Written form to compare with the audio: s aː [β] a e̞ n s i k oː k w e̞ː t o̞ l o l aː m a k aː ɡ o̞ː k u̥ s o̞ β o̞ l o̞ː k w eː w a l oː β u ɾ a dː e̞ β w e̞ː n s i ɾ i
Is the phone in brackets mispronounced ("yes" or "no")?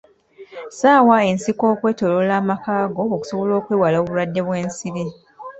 yes